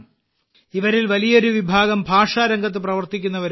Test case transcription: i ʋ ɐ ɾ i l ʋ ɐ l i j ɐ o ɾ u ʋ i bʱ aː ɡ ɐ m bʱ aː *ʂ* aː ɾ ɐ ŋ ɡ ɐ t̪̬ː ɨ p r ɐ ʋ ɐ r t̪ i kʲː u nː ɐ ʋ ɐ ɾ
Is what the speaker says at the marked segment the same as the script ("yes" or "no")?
yes